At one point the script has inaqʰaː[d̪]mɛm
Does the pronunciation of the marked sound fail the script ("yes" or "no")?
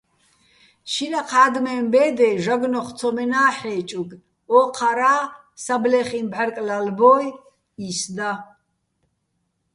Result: no